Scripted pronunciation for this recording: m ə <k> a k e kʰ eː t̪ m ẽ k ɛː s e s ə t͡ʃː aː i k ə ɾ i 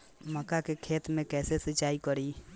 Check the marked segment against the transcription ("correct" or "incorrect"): correct